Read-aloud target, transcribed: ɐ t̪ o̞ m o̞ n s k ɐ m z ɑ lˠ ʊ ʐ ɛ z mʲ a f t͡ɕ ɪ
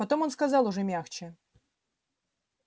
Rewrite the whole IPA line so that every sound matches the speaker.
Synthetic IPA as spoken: ɐ t̪ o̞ m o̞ n s k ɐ z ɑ lˠ ʊ ʐ ɛ mʲ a x t͡ɕ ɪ